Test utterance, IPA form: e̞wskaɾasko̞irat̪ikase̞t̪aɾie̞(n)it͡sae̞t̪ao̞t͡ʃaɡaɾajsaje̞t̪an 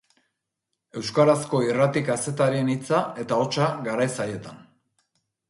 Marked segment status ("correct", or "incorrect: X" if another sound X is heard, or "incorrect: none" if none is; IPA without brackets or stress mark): correct